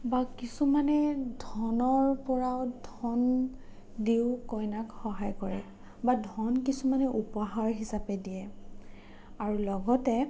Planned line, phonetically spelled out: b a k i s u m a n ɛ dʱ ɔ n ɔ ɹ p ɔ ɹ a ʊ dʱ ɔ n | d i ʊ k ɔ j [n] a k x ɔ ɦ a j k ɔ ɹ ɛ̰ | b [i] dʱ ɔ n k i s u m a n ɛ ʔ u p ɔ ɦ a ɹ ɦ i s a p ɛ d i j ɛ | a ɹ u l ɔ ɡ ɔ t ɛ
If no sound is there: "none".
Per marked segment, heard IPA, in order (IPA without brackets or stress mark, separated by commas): n, a